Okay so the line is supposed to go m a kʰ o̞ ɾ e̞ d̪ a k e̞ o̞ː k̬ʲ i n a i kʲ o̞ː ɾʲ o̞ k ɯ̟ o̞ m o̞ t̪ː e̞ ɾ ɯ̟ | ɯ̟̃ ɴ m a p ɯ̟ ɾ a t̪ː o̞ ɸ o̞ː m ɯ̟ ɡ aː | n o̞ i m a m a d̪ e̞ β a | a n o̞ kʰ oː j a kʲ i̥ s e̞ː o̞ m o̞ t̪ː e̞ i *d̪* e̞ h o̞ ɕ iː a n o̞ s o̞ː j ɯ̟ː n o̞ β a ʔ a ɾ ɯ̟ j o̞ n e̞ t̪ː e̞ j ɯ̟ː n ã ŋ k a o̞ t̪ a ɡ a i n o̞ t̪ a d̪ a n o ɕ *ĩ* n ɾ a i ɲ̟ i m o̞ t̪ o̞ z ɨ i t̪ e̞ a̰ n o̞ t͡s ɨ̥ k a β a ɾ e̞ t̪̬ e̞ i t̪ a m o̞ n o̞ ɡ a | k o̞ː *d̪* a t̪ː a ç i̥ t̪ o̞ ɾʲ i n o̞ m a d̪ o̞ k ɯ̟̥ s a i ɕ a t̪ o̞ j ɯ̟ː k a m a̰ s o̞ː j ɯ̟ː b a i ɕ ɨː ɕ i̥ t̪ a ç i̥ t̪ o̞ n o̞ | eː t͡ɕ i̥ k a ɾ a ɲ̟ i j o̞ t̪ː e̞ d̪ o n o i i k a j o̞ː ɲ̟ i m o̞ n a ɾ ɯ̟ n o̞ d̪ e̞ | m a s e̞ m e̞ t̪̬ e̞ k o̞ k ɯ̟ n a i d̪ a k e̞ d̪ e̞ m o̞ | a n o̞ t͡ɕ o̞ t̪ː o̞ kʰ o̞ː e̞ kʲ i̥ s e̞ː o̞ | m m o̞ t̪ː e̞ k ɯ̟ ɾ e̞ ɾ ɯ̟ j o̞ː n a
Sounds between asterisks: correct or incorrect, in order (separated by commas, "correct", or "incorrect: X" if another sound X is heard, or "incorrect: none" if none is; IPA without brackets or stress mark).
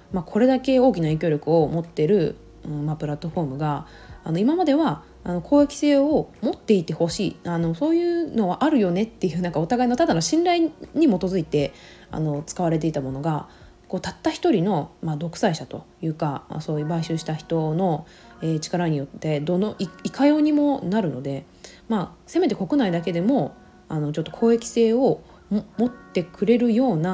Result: incorrect: t̪, correct, incorrect: t̪